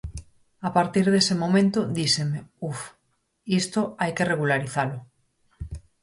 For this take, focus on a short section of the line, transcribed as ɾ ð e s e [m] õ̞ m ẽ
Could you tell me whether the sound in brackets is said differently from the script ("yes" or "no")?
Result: no